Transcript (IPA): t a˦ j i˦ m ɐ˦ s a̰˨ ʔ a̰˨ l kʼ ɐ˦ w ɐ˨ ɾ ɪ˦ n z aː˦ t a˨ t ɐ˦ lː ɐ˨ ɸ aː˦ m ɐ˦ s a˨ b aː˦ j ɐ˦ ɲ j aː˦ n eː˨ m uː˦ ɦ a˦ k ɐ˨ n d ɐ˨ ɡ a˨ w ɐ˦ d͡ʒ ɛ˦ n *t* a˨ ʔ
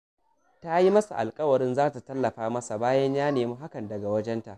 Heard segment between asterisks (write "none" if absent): t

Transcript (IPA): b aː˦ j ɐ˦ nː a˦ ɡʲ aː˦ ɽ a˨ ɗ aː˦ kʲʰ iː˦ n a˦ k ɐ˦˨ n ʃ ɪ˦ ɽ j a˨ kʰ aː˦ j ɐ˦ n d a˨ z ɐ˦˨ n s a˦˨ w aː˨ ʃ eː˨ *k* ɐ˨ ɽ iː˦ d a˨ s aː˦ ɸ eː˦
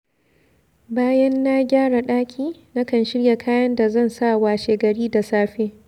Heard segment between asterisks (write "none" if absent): ɡ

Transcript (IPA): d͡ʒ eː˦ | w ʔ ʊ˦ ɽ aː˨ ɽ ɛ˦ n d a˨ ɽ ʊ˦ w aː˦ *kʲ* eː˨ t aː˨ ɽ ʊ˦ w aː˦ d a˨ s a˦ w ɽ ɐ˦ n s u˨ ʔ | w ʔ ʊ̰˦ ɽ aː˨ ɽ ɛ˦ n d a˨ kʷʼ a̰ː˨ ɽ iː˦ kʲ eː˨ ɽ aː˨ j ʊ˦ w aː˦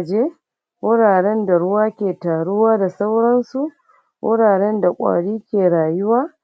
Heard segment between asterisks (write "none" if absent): kʲ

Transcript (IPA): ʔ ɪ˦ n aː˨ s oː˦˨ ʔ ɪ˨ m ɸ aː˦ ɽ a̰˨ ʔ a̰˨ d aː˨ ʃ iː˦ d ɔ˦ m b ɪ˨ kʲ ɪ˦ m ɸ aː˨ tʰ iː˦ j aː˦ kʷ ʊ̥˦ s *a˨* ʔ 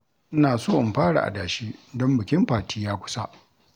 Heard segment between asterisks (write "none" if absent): a˦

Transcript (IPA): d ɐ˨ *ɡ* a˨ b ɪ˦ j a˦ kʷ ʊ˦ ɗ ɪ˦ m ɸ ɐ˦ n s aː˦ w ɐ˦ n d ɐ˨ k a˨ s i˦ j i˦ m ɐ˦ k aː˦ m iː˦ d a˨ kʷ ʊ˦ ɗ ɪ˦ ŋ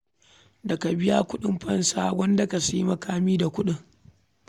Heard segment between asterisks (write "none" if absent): k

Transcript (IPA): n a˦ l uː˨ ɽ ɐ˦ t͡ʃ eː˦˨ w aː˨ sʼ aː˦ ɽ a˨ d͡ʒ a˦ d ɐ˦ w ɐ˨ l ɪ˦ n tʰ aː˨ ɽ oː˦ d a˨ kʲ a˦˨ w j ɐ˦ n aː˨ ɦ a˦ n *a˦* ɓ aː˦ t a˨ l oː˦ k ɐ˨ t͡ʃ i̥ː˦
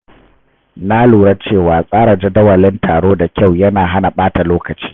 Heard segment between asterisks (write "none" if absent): a˨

